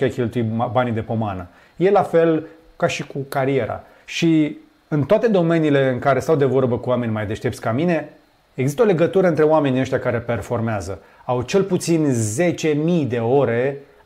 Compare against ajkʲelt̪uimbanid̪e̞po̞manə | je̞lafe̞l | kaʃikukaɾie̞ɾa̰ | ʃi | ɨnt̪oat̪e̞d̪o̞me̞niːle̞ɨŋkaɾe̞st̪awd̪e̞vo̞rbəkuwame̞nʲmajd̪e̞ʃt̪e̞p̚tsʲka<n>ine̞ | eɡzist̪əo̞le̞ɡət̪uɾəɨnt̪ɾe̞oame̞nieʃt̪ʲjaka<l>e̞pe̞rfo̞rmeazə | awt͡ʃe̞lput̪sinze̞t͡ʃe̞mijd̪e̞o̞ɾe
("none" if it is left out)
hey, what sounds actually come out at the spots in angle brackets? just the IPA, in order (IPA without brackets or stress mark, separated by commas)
m, ɾ